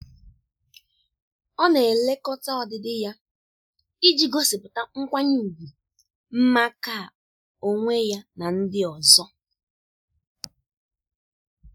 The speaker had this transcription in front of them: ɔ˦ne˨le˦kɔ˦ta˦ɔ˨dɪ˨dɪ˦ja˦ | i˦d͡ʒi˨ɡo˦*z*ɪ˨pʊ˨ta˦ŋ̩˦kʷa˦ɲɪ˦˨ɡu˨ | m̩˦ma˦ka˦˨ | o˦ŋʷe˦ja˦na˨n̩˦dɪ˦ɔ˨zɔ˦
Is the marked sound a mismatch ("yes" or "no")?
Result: yes